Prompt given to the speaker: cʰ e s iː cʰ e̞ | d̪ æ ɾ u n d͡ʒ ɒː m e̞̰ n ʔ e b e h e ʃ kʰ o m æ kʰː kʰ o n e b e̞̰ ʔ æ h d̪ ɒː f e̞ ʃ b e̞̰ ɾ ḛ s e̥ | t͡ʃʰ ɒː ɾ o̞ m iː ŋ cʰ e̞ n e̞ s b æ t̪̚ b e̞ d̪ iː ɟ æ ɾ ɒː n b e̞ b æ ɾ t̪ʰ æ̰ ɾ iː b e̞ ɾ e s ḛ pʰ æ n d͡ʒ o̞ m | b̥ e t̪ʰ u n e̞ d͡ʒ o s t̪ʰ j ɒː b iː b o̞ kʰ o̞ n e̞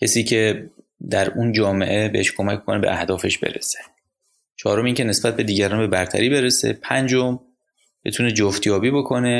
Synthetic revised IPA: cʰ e s iː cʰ e̞ | d̪ æ ɾ u n d͡ʒ ɒː m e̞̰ ʔ e b e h e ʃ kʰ o m æ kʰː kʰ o n e b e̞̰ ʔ æ h d̪ ɒː f e̞ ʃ b e̞̰ ɾ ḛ s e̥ | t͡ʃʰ ɒː ɾ o̞ m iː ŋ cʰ e̞ n e̞ s b æ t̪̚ b e̞ d̪ iː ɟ æ ɾ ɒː n b e̞ b æ ɾ t̪ʰ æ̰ ɾ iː b e̞ ɾ e s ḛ pʰ æ n d͡ʒ o̞ m | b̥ e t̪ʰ u n e̞ d͡ʒ o f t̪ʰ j ɒː b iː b o̞ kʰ o̞ n e̞